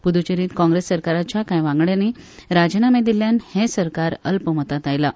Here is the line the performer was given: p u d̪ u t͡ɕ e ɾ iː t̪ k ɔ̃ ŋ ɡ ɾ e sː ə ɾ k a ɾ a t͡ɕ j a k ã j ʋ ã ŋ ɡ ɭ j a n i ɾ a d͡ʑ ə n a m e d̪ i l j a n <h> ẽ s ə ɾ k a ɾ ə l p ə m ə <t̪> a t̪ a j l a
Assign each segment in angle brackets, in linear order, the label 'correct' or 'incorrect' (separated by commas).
correct, correct